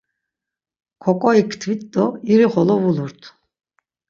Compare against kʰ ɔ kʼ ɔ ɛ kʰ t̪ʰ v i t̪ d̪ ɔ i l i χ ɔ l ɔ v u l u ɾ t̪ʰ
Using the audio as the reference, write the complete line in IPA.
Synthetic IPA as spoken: kʰ ɔ kʼ ɔ i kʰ t̪ʰ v i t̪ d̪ ɔ i ɾ i χ ɔ l ɔ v u l u ɾ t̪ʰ